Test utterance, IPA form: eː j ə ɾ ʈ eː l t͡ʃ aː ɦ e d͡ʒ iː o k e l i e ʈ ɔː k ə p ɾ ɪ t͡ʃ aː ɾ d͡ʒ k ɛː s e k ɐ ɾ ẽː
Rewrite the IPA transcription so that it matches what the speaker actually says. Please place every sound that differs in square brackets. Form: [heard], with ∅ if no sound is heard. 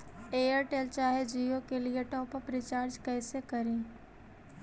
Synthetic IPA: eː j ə ɾ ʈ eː l t͡ʃ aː ɦ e d͡ʒ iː o k e l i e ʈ ɔː [p] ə p ɾ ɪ t͡ʃ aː ɾ d͡ʒ k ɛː s e k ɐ ɾ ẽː